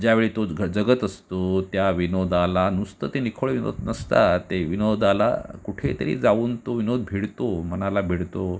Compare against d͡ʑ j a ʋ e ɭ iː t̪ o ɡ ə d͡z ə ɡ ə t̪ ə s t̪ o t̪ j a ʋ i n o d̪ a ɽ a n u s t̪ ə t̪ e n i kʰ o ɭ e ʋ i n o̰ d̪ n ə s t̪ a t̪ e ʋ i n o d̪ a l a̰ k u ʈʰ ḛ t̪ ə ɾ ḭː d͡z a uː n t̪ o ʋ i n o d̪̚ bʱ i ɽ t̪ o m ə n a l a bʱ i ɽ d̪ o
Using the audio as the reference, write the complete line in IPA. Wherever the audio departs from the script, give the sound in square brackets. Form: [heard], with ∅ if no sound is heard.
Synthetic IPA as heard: d͡ʑ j a ʋ e ɭ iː t̪ o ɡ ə d͡z ə ɡ ə t̪ ə s t̪ o t̪ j a ʋ i n o d̪ a [l] a n u s t̪ ə t̪ e n i kʰ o ɭ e ʋ i n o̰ d̪ n ə s t̪ a t̪ e ʋ i n o d̪ a l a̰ k u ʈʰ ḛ t̪ ə ɾ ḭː d͡z a uː n t̪ o ʋ i n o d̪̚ bʱ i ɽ t̪ o m ə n a l a bʱ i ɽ [t̪] o

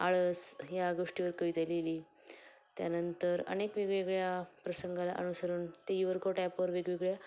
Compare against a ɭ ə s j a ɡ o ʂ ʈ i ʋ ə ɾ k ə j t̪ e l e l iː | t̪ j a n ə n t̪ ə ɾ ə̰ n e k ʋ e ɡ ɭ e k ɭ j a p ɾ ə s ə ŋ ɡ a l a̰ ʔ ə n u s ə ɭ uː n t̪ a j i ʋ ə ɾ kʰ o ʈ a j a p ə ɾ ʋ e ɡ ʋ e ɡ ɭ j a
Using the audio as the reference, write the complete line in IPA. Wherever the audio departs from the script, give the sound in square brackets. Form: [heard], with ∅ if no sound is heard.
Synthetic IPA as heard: a ɭ ə s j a ɡ o ʂ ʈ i ʋ ə ɾ k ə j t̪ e l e l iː | t̪ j a n ə n t̪ ə ɾ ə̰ n e k ʋ e ɡ ɭ e [ɡ] ɭ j a p ɾ ə s ə ŋ ɡ a l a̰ ʔ ə n u s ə [ɾ] uː n t̪ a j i ʋ ə ɾ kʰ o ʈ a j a p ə ɾ ʋ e ɡ ʋ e ɡ ɭ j a

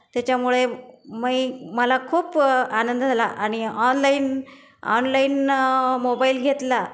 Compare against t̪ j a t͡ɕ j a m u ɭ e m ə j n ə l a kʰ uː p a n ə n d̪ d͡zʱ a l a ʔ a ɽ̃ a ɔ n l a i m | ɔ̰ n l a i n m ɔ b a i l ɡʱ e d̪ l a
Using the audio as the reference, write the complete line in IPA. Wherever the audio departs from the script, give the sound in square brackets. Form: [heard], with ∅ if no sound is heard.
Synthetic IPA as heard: t̪ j a t͡ɕ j a m u ɭ e m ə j [m] ə l a kʰ uː p a n ə n d̪ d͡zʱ a l a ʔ a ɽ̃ [i] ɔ n l a i [n] | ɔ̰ n l a i n m [o] b a i l ɡʱ e [t̪] l a

